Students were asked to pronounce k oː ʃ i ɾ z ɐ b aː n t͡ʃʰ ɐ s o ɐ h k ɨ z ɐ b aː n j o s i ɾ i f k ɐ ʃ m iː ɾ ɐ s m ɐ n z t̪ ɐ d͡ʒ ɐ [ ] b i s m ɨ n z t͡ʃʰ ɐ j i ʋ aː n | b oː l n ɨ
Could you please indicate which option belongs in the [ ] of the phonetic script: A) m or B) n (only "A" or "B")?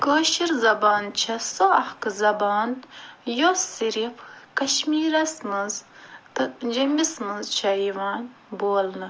A